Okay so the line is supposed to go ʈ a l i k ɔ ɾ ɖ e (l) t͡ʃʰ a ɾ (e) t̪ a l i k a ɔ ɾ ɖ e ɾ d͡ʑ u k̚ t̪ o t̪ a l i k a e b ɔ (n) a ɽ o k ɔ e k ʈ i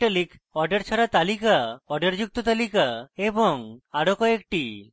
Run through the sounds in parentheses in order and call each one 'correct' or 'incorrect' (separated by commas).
incorrect, incorrect, incorrect